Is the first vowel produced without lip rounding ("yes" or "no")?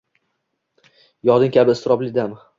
no